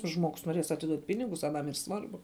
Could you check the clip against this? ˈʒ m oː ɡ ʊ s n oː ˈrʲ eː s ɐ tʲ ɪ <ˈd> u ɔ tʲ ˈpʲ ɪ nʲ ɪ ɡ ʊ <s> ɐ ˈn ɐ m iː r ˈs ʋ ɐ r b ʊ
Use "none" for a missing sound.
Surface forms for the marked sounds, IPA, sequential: d, s

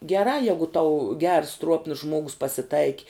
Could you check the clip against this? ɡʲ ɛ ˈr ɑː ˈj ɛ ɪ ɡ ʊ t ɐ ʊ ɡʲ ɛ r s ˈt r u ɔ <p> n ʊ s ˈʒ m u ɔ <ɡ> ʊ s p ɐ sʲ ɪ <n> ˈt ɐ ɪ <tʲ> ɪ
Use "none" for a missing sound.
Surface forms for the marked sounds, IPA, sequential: p, ɡ, none, kʲ

